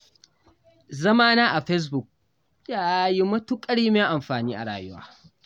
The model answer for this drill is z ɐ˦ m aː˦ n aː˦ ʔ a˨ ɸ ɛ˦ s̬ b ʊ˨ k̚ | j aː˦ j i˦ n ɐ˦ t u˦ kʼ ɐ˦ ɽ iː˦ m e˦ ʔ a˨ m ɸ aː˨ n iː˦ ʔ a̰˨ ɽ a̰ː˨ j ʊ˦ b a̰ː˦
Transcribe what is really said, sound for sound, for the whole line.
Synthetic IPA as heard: z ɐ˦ m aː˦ n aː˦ ʔ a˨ ɸ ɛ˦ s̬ b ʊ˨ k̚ | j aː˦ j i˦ m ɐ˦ t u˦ kʼ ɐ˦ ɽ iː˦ m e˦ ʔ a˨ m ɸ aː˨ n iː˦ ʔ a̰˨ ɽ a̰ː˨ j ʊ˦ w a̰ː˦